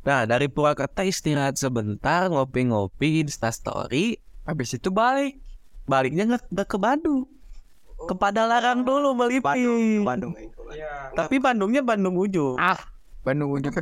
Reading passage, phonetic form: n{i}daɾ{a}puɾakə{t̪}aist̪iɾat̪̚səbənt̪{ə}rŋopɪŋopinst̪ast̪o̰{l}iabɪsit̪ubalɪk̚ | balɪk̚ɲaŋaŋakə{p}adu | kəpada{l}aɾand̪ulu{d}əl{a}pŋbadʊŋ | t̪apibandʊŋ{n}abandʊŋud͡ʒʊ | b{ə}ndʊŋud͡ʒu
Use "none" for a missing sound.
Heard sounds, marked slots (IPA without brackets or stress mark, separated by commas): a, i, t̪, a, ɾ, b, l, b, i, ɲ, a